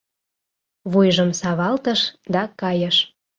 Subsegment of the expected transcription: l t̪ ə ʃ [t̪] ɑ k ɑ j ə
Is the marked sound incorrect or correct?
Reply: incorrect